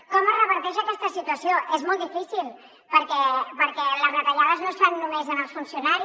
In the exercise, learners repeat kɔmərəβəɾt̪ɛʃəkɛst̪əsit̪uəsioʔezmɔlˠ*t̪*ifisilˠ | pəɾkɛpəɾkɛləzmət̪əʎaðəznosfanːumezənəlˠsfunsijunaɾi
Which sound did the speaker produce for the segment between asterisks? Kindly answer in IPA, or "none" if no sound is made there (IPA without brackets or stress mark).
d̪